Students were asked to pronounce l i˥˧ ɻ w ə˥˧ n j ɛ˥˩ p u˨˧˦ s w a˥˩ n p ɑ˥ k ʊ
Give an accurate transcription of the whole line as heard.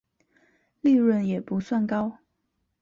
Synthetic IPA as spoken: l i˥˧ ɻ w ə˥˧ n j ɛ˨˩ p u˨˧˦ s w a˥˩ n k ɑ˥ ʊ